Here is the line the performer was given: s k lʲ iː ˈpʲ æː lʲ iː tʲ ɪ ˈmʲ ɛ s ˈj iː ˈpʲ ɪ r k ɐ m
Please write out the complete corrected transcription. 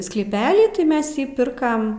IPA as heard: s k lʲ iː ˈpʲ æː lʲ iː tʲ ɪ ˈmʲ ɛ s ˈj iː ˈpʲ ɪ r k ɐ m